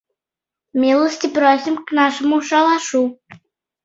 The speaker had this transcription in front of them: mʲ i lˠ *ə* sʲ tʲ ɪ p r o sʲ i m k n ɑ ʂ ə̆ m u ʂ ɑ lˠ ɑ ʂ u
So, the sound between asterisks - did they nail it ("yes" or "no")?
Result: yes